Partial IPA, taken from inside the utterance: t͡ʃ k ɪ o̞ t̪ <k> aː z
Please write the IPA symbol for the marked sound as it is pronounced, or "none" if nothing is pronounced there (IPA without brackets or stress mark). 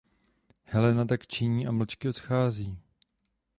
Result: x